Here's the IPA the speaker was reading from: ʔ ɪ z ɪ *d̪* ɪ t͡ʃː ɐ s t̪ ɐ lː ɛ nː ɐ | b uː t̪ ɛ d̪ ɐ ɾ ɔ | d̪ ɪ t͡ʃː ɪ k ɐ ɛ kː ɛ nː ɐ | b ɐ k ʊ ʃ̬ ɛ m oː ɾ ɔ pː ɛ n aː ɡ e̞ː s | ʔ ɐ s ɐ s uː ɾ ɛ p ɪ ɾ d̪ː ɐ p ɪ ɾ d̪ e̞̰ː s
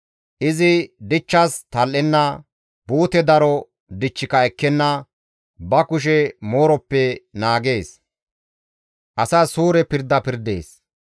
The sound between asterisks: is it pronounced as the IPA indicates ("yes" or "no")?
yes